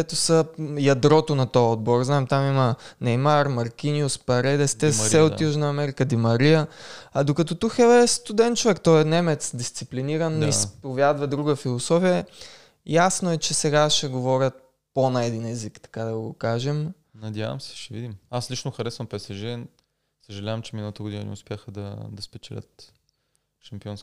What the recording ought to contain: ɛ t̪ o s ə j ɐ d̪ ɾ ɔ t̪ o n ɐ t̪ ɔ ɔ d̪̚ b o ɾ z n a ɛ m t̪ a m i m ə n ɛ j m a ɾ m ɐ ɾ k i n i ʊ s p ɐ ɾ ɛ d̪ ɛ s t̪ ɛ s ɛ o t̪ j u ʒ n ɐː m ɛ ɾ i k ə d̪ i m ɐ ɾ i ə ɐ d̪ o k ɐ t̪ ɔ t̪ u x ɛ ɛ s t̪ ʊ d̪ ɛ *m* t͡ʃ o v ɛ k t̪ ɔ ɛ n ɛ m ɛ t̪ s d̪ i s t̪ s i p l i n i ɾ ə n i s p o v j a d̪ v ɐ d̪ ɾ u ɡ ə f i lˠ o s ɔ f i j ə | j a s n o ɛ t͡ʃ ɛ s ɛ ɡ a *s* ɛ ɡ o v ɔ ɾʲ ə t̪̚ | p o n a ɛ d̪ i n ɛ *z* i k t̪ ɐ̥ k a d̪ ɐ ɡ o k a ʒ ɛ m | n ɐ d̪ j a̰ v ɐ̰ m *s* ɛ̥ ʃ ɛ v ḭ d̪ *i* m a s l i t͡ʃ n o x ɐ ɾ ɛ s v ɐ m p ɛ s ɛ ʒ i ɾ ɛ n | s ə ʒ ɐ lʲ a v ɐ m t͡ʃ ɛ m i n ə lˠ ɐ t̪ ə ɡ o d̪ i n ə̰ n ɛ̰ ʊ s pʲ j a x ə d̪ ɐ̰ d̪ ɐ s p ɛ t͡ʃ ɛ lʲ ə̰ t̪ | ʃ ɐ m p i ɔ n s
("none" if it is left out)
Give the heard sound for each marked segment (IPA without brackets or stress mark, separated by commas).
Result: n, ʃ, z, s, i